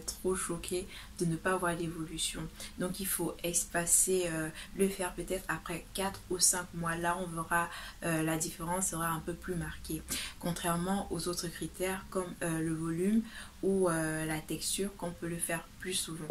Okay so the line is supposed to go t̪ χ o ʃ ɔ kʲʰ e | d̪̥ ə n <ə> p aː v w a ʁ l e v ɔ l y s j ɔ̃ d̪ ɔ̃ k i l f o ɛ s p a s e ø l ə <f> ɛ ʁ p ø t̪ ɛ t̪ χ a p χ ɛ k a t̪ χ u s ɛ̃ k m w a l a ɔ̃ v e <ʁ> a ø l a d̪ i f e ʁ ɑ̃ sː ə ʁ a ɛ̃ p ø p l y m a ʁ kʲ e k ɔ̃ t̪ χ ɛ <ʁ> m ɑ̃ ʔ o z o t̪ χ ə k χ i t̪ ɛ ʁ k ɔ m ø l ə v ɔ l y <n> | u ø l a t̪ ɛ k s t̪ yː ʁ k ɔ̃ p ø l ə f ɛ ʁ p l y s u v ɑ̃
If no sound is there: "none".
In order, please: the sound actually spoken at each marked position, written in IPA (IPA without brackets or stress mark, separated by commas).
ə, f, ʁ, ʁ, m